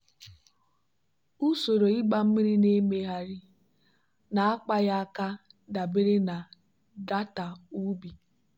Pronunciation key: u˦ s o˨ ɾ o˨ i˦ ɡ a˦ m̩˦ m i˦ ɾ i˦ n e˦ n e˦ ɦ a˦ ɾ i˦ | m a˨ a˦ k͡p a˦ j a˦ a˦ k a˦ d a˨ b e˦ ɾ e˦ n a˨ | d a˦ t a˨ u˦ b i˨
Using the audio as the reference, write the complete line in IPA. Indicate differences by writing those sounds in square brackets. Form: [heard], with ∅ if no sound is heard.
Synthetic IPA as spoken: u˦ s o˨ ɾ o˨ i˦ [ɡ͡b] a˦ m̩˦ m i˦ ɾ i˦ n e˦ [m] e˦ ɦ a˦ ɾ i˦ | [n] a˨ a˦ k͡p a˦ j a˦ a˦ k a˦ d a˨ b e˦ ɾ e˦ n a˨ | d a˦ t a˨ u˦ b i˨